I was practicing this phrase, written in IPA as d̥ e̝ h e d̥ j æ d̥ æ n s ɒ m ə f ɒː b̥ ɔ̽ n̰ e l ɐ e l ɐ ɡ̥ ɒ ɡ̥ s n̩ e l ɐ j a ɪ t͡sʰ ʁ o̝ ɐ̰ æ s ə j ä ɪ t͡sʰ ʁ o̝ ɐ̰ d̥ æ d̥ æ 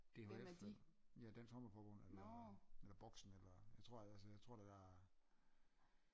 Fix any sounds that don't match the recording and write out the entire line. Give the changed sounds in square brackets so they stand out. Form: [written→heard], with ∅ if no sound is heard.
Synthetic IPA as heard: d̥ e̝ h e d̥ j æ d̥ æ n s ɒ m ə f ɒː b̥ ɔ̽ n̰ e l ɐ e l ɐ [ɡ̥→b̥] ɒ ɡ̥ s n̩ e l ɐ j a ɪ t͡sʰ ʁ o̝ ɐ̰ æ s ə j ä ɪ t͡sʰ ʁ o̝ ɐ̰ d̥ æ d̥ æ

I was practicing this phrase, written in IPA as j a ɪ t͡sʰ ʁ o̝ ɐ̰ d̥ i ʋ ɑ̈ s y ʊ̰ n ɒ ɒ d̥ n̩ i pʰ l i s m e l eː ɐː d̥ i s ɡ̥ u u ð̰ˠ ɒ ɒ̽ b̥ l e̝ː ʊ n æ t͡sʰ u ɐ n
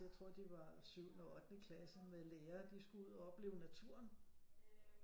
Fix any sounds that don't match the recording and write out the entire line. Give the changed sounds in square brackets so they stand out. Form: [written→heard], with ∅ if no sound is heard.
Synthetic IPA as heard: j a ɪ t͡sʰ ʁ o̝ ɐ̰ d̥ i ʋ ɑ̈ s y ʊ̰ n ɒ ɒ d̥ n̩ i [pʰ→kʰ] l [i→æ] s m e l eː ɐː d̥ i s ɡ̥ u u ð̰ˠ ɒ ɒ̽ b̥ l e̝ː ʊ n æ t͡sʰ u ɐ n

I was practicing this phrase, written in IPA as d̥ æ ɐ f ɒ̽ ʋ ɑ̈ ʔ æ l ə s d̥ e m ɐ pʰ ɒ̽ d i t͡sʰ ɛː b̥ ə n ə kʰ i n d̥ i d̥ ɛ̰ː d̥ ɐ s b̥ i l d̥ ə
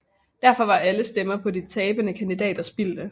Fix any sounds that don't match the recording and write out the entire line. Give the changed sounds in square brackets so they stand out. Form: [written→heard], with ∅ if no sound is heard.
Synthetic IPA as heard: d̥ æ ɐ f ɒ̽ ʋ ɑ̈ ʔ æ l ə s d̥ e m ɐ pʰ ɒ̽ d i t͡sʰ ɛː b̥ ə n ə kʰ [i→æ] n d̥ i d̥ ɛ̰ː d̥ ɐ s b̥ i l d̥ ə

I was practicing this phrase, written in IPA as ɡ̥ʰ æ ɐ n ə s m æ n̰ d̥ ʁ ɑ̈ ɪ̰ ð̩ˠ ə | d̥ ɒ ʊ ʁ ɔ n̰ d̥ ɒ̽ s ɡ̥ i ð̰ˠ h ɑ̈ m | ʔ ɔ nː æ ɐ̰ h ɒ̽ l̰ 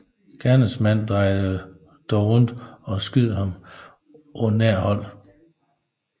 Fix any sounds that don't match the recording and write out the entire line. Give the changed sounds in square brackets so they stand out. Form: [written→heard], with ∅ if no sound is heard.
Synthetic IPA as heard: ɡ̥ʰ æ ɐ n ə s m æ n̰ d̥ ʁ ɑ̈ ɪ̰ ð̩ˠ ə | d̥ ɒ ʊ ʁ ɔ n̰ d̥ ɒ̽ s ɡ̥ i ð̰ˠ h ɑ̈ m | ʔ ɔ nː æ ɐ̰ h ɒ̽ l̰

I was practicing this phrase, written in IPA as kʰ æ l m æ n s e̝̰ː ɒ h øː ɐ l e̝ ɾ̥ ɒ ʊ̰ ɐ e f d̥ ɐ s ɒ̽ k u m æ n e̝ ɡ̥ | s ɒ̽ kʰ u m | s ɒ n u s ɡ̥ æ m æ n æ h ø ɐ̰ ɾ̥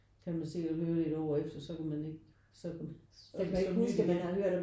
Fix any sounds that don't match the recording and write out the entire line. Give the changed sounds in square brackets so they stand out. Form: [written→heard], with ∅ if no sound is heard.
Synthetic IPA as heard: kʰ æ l m æ n s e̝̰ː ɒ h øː ɐ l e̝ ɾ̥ ɒ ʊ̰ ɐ e f d̥ ɐ s ɒ̽ k u m æ n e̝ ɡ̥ | s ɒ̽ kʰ u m | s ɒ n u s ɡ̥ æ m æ n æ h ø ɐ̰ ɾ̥

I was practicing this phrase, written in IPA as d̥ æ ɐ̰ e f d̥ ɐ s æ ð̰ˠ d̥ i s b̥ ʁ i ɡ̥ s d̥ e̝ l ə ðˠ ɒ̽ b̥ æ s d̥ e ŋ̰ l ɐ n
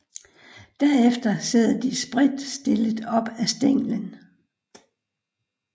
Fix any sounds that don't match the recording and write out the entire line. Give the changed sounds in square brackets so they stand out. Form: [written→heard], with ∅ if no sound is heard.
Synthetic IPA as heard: d̥ æ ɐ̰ e f d̥ ɐ s [æ→e] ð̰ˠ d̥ i s b̥ ʁ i [ɡ̥→d̥] s d̥ e̝ l ə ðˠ ɒ̽ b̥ æ s d̥ e ŋ̰ l [ɐ→ə] n

